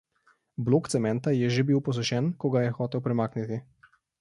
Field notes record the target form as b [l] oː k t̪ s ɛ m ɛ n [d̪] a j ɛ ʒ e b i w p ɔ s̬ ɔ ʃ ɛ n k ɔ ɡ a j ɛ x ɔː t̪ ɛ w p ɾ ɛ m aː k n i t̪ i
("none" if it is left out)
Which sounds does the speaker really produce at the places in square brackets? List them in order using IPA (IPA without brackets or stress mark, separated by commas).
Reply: l, t̪